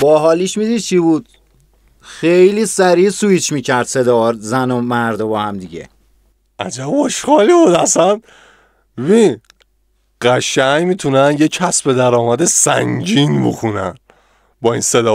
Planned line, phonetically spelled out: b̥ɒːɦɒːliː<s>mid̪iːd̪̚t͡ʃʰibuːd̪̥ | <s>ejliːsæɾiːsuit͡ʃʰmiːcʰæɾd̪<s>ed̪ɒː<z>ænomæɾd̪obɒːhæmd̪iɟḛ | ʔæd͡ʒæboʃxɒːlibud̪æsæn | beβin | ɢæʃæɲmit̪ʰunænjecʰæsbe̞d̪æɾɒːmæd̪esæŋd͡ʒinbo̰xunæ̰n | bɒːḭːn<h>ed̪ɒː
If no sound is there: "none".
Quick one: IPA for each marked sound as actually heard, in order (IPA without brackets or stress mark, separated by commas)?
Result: ʃ, x, s, z, s